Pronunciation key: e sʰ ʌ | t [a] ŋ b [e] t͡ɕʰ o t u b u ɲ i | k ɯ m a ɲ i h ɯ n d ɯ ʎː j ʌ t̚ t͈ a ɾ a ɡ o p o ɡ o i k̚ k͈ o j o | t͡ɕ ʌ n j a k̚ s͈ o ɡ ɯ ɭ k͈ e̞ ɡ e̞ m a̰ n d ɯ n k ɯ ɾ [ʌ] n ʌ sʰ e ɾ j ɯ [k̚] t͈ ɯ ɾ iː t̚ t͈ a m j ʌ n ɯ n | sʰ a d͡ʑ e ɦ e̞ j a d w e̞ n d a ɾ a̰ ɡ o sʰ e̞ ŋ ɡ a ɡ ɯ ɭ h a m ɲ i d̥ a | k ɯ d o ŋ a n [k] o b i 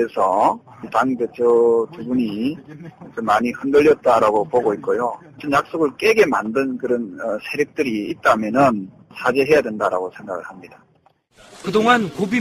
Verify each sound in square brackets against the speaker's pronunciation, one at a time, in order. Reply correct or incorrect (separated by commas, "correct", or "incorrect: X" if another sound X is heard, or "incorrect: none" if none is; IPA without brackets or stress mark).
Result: correct, correct, correct, correct, correct